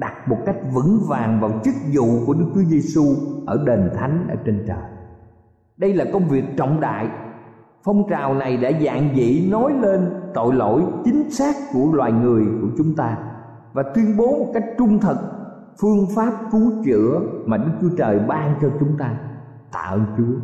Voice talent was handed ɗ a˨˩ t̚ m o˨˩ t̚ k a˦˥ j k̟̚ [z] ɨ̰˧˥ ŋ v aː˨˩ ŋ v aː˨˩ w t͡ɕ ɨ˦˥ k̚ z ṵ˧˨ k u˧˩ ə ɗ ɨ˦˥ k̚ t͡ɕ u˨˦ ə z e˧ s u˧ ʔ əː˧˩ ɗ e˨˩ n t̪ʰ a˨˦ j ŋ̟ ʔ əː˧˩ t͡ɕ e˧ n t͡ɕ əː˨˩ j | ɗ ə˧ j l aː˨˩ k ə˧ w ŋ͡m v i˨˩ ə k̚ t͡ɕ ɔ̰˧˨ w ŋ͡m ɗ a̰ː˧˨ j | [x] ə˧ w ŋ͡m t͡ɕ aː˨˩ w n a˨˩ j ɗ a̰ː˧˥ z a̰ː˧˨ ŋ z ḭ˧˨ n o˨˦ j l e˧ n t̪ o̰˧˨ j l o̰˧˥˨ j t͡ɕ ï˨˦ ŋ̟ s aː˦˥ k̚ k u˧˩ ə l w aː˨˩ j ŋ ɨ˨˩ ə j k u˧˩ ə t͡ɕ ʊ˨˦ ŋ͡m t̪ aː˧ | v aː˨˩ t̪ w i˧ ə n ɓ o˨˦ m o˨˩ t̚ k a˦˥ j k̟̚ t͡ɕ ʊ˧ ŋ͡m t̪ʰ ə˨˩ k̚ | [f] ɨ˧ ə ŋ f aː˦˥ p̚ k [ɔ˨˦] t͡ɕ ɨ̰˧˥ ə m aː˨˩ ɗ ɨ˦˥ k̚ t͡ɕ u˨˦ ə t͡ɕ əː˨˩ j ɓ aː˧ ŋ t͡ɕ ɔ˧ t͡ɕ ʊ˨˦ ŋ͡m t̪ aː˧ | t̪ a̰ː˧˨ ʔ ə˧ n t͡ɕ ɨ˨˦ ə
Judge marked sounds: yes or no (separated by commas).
no, no, yes, no